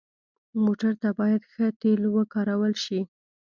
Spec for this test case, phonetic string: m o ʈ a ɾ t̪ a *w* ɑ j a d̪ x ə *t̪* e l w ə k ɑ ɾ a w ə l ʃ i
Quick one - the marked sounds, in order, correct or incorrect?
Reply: incorrect, correct

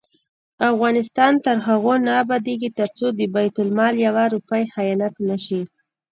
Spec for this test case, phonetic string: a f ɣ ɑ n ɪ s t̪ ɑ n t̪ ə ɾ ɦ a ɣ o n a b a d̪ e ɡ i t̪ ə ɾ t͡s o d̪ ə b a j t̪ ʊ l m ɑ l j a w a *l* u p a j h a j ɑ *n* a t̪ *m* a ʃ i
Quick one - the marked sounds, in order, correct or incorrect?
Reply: incorrect, correct, incorrect

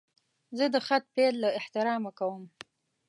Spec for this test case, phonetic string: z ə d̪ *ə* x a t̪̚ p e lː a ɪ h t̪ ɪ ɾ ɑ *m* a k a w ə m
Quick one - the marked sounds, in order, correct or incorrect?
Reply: correct, correct

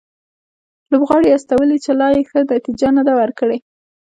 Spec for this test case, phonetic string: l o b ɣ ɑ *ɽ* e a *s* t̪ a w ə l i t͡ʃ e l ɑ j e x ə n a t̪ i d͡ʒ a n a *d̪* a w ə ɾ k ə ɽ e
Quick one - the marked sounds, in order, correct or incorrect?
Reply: correct, correct, correct

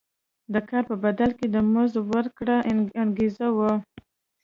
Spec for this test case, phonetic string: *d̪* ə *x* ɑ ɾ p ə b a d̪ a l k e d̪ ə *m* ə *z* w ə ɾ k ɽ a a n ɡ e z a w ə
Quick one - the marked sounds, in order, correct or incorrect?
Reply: correct, incorrect, correct, correct

